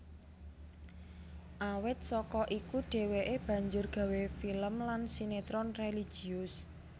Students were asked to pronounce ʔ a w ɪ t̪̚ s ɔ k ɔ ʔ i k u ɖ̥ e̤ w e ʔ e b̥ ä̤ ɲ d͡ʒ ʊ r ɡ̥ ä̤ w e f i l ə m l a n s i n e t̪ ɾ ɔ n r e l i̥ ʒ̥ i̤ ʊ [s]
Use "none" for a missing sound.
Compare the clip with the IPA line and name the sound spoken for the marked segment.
s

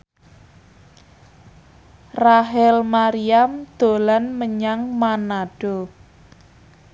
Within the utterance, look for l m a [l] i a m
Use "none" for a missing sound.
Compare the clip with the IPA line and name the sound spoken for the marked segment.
ɾ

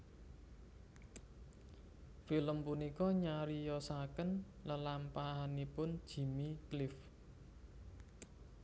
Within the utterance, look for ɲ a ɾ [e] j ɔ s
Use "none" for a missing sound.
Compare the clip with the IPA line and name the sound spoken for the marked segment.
i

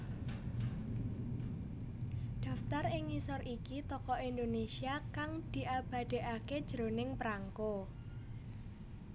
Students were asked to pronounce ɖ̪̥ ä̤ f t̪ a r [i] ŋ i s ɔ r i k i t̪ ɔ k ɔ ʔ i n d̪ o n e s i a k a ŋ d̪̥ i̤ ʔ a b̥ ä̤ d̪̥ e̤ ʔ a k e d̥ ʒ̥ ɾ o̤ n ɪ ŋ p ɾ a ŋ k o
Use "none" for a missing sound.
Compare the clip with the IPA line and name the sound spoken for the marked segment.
ɪ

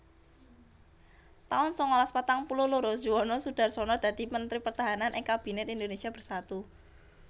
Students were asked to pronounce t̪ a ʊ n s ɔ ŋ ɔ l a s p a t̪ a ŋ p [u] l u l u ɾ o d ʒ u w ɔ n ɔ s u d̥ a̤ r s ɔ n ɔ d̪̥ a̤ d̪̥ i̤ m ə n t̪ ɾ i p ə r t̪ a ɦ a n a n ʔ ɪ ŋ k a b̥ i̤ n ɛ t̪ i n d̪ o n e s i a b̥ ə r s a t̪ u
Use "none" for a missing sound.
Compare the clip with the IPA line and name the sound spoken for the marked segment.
u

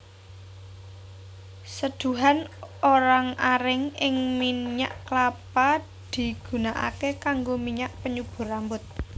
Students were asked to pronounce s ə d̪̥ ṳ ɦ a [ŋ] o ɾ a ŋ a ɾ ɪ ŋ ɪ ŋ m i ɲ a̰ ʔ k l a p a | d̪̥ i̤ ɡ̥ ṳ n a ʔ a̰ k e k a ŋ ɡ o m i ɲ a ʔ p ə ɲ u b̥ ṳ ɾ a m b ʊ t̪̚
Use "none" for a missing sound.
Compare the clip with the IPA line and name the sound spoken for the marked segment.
n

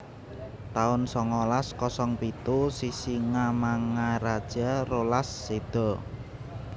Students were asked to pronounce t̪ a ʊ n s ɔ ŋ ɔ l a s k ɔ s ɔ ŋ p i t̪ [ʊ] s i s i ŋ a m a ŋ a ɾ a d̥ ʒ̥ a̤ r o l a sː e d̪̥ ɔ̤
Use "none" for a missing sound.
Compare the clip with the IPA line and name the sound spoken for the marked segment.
u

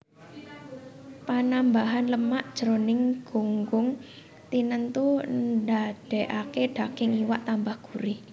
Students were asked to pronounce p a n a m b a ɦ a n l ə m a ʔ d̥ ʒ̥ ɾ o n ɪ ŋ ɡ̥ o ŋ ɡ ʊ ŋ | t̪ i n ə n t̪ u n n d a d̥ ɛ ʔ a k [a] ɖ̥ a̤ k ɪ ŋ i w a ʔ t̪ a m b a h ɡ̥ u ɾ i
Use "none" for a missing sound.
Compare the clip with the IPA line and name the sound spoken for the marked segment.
e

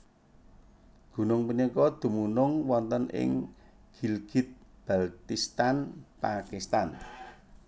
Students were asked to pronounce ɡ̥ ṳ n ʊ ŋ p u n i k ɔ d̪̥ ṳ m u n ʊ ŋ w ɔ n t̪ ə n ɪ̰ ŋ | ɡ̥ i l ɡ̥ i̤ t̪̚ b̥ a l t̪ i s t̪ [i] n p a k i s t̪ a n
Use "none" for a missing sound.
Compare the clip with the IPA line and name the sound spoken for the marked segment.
a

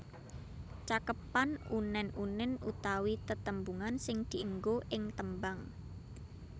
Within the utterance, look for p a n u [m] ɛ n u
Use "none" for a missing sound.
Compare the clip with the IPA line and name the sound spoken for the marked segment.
n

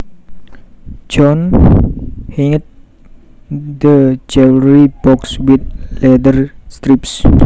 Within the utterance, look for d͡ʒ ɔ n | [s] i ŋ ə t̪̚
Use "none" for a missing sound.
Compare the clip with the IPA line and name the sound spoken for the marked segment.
h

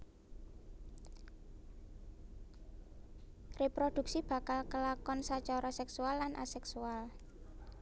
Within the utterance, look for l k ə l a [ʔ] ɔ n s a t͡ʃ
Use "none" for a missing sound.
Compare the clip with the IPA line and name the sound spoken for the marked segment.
k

